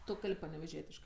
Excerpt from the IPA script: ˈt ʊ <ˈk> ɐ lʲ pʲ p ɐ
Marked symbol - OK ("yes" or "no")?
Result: yes